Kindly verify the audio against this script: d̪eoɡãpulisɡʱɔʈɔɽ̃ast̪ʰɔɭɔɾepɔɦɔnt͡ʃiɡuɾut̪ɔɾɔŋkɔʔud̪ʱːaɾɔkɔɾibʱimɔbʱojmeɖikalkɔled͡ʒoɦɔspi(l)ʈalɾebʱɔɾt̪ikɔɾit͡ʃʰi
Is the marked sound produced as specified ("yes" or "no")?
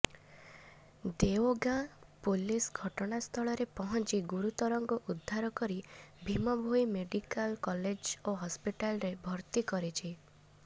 no